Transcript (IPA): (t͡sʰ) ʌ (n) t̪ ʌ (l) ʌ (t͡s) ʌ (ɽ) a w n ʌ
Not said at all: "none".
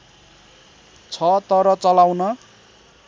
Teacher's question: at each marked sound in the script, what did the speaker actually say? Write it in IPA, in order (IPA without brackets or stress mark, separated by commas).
t͡sʰ, none, ɾ, t͡s, l